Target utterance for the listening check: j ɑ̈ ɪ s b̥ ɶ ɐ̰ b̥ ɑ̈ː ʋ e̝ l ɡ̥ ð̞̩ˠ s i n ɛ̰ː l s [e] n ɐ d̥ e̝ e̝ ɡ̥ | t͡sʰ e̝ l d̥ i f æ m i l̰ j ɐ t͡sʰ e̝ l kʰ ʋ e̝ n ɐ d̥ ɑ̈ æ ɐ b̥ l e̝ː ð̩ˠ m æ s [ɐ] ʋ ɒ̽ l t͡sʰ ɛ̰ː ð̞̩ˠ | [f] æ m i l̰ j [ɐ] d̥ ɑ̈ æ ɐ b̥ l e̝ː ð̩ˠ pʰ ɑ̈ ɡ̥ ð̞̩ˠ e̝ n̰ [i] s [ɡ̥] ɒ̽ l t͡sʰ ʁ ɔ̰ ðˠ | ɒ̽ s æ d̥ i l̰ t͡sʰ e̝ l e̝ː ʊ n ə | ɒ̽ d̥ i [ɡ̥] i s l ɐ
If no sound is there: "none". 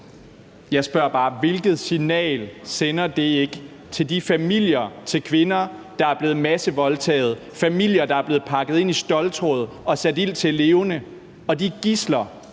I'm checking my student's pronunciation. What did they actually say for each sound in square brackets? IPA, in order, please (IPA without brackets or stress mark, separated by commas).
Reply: e, ə, f, ɐ, i, d̥, ɡ̥